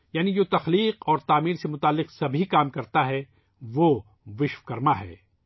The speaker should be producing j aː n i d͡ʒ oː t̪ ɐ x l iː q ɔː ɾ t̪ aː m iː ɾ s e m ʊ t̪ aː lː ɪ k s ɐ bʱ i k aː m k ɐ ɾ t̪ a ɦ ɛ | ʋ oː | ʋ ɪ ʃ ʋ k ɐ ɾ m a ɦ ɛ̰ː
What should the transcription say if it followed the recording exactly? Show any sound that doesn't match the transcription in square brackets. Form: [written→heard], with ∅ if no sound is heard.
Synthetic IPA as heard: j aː n i d͡ʒ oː t̪ ɐ x l iː q ɔː ɾ t̪ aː m iː ɾ s e m ʊ t̪ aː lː ɪ [k→q] s ɐ bʱ i k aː m k ɐ ɾ t̪ a ɦ ɛ | ʋ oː | ʋ ɪ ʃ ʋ k ɐ ɾ m a ɦ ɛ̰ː